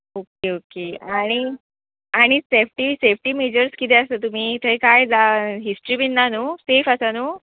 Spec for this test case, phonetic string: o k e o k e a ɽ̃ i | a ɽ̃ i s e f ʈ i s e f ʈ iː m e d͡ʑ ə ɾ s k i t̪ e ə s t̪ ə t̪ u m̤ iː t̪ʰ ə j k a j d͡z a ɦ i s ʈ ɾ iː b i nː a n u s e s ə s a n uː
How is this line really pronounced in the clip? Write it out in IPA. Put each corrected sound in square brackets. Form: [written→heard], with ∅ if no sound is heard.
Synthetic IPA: o k e o k e a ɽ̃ i | a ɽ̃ i s e f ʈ i s e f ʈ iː m e d͡ʑ ə ɾ s k i t̪ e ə s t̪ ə t̪ u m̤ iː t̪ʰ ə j k a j d͡z a ɦ i s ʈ ɾ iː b i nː a n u s e [s→f] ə s a n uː